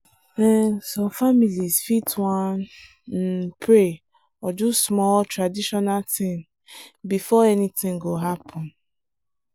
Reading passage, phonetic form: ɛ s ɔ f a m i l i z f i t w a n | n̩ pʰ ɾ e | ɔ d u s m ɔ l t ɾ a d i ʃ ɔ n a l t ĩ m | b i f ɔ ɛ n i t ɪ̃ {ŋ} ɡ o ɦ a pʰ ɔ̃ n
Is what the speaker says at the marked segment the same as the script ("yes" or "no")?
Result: yes